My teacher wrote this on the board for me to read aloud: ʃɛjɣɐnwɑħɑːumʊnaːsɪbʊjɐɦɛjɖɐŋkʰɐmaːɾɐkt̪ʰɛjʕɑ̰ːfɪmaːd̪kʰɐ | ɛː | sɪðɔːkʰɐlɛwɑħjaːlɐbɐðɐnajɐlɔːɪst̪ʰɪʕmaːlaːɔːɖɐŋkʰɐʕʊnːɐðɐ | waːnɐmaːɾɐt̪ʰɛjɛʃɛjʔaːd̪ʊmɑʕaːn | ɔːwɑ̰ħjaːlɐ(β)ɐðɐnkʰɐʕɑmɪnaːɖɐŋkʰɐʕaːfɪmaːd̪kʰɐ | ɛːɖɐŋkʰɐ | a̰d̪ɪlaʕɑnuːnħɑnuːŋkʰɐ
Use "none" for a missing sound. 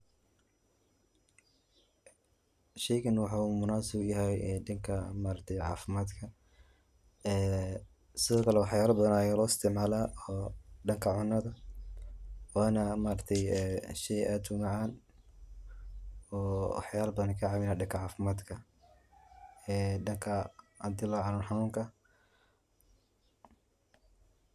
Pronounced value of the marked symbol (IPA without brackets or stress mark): b